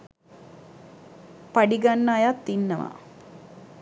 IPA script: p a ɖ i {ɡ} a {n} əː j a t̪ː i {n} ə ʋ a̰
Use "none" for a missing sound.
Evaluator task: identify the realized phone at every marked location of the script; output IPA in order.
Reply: ɡ, nː, nː

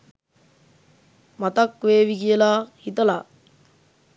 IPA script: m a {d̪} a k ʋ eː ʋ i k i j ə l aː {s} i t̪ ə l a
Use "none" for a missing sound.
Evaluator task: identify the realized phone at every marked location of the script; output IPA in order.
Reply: t̪, h

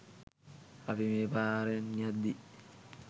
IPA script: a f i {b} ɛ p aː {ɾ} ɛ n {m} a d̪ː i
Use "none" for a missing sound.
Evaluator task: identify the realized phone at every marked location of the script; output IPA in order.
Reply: m, ɾ, ɲ

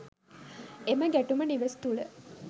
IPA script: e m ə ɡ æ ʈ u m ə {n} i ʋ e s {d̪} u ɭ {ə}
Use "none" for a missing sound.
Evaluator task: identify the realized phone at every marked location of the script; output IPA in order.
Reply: n, t̪, ə

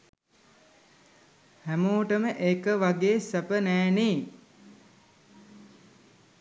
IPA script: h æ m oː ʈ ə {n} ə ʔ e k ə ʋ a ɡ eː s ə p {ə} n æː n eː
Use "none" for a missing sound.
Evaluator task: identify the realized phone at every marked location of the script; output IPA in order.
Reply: m, ə

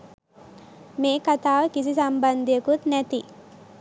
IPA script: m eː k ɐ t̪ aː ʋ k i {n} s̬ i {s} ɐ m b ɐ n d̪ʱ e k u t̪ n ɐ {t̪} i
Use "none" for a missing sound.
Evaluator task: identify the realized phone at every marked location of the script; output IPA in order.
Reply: none, s, t̪

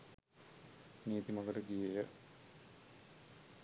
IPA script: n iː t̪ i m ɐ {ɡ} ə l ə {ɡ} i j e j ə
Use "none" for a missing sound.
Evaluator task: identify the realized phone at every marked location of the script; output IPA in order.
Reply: ɡ, ɡ

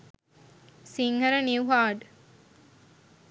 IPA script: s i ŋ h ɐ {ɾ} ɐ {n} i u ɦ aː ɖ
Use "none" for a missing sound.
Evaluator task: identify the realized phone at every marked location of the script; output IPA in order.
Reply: ɾ, n

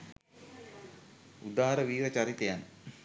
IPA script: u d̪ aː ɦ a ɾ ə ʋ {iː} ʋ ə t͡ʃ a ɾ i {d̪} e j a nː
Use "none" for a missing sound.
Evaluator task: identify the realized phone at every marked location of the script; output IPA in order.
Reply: iː, t̪

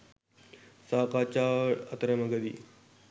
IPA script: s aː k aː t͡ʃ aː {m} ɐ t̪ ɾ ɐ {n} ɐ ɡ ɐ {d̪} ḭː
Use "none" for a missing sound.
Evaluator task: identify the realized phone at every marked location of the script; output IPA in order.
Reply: none, m, d̪

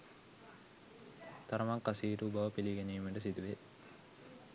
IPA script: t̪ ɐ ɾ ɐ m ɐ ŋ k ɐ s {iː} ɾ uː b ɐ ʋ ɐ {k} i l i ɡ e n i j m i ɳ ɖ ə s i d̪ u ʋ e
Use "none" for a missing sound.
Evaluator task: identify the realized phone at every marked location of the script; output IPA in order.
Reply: iː, p

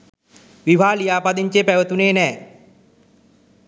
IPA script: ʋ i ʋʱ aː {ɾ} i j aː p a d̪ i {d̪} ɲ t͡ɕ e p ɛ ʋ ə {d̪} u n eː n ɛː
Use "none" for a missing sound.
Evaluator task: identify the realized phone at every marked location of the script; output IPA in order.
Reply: l, none, t̪

